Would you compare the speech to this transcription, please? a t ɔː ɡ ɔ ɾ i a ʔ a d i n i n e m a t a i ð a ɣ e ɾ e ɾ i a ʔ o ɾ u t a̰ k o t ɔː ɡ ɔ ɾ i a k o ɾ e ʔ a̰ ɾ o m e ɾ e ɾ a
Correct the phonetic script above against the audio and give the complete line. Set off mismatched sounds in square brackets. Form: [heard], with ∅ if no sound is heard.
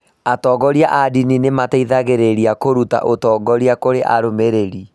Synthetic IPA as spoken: a t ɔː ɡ ɔ ɾ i a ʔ a d i n i n e m a t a i ð a ɣ e ɾ e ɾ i a [k] o ɾ u t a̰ [ʔ] o t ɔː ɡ ɔ ɾ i a k o ɾ e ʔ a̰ ɾ o m e ɾ e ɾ [i]